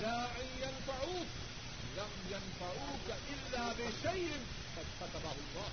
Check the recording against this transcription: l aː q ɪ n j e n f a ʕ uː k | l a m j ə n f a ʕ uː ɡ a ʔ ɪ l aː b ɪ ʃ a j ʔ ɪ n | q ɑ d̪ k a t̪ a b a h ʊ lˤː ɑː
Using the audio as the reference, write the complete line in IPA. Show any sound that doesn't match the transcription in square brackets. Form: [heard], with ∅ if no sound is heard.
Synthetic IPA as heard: l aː [ʔ] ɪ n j [a] n f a ʕ uː k | l a m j [a] n f a ʕ uː [k] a ʔ ɪ [lː] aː b ɪ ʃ a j ʔ ɪ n | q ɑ d̪ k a t̪ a b a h ʊ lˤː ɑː